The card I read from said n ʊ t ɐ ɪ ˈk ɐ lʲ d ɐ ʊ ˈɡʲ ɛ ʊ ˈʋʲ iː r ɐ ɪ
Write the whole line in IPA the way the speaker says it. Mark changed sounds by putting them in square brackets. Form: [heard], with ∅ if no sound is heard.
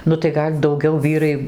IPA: n ʊ t ɐ ɪ [ˈɡ] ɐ lʲ d ɐ ʊ ˈɡʲ ɛ ʊ ˈʋʲ iː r ɐ ɪ